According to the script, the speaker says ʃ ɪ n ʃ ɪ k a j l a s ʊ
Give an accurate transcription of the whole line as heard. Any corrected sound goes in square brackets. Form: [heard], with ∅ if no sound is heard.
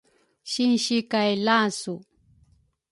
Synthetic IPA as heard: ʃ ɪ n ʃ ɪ k a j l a s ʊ

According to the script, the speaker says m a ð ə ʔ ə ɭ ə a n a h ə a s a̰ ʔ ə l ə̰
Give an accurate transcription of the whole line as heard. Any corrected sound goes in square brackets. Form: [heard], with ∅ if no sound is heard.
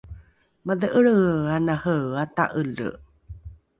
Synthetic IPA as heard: m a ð ə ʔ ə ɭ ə a n a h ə a [t] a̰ ʔ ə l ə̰

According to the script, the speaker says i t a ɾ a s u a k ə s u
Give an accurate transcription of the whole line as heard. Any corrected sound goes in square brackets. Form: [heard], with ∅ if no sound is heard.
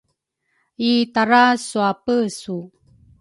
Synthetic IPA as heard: i t a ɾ a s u a [p] ə s u

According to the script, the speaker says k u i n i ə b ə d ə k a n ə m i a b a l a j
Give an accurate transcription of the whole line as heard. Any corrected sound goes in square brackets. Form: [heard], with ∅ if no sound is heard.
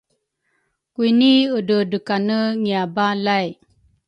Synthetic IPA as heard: k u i n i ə [d] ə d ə k a n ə [ŋ] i a b a l a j

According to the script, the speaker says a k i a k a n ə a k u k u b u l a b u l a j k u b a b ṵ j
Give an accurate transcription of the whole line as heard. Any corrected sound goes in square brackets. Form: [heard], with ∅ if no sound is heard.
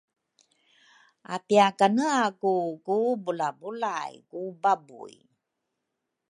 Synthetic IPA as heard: a [p] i a k a n ə a k u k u b u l a b u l a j k u b a b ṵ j

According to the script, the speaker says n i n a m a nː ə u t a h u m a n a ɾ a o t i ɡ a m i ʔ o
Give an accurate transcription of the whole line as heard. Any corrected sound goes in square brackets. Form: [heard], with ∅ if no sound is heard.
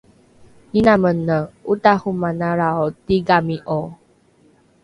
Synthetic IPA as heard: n i n a m [ə] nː ə u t a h u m a n a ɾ a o t i ɡ a m i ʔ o

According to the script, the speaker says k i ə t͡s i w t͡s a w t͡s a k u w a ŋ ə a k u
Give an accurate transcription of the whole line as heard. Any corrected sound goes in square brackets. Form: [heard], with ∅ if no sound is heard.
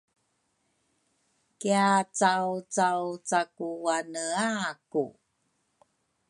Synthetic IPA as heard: k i [a] t͡s [a] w t͡s a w t͡s a k u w a [n] ə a k u

